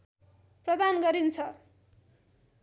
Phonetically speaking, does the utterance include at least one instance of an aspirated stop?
yes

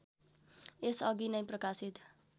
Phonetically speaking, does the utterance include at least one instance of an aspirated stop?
no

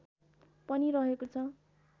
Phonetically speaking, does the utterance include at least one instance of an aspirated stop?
yes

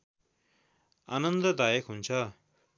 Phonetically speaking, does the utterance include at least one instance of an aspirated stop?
yes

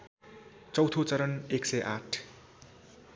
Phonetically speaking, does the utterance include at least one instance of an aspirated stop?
yes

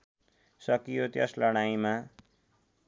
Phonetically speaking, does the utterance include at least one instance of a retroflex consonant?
yes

